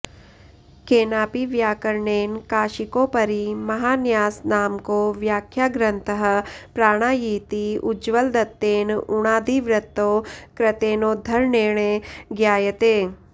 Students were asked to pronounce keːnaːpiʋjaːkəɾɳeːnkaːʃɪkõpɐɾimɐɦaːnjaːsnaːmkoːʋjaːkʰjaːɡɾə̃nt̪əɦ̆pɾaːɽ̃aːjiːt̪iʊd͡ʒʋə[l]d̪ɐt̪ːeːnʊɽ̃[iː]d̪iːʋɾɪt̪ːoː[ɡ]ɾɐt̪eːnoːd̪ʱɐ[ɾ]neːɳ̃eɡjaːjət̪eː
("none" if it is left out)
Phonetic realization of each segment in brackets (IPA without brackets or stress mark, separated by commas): l, aː, k, ɾ